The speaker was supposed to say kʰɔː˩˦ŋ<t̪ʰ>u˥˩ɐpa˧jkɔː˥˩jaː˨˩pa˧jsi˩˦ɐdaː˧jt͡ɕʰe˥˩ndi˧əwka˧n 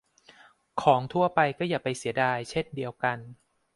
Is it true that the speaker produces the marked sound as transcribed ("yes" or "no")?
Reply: yes